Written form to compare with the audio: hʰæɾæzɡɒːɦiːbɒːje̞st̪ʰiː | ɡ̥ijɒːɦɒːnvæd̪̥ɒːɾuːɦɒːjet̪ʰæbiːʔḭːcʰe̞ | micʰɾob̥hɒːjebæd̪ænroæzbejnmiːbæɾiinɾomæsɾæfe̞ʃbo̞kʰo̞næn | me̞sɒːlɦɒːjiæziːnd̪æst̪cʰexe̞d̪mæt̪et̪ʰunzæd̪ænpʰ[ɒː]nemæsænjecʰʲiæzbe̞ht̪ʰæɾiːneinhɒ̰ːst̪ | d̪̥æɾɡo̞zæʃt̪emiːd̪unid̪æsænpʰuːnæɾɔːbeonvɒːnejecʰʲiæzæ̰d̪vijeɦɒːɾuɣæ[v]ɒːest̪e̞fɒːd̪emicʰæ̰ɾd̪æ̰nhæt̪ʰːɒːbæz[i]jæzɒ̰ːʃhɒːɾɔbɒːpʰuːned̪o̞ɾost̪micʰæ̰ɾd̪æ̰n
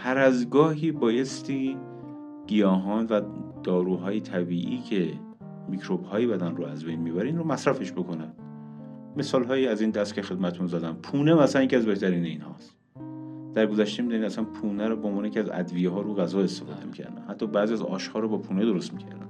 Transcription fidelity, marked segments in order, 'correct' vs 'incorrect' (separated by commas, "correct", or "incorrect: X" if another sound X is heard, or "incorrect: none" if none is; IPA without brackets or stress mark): incorrect: uː, incorrect: z, correct